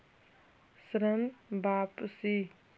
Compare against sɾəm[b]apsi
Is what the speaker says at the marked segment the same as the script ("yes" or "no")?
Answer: yes